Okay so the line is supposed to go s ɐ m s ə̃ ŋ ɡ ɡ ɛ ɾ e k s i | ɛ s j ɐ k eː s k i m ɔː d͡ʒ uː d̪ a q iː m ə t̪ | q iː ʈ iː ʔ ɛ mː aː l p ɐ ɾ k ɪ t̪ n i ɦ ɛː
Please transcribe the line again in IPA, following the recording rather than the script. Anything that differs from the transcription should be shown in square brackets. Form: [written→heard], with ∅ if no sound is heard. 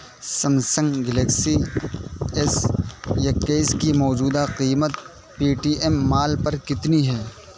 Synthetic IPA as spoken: s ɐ m s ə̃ ŋ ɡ ɡ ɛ [ɾ→l] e k s i | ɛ s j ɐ k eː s k i m ɔː d͡ʒ uː d̪ a q iː m ə t̪ | [q→p] iː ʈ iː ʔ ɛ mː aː l p ɐ ɾ k ɪ t̪ n i ɦ ɛː